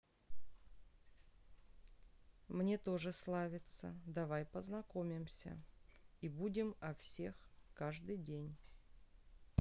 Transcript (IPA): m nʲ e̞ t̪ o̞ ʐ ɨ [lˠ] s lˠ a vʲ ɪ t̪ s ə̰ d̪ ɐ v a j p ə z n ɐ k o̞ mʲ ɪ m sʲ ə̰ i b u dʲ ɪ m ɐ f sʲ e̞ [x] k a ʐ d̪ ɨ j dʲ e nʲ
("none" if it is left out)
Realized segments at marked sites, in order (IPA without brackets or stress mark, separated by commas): none, x